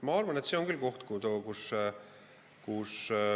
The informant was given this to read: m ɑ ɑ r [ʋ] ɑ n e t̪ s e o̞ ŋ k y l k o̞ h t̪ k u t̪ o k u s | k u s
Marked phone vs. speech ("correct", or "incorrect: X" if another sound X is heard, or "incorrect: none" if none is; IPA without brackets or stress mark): incorrect: v